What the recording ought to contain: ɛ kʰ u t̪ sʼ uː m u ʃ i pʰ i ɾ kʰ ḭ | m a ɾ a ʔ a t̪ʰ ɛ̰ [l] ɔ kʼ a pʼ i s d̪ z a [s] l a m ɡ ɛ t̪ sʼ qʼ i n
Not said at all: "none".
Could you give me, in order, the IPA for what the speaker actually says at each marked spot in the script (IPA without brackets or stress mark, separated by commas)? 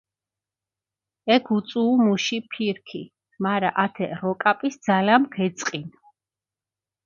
ɾ, none